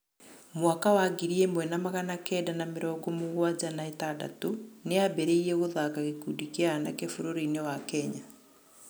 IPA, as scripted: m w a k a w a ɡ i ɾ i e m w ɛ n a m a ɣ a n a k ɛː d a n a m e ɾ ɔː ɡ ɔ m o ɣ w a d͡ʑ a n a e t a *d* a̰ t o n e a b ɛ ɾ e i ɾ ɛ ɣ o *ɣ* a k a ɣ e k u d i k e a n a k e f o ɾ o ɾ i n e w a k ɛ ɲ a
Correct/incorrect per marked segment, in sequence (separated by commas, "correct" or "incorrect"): correct, incorrect